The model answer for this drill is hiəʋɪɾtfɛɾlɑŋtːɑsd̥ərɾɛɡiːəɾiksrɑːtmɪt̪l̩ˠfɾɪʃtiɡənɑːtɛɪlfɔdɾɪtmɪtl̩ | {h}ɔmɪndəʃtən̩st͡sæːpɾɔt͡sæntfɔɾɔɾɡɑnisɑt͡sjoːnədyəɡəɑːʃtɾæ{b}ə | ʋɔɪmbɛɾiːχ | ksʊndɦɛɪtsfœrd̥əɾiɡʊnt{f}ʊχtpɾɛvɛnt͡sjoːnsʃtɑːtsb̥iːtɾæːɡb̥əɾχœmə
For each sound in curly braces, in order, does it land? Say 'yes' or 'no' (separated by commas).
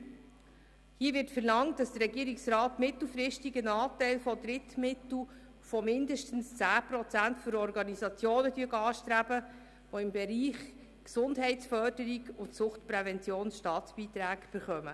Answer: no, yes, no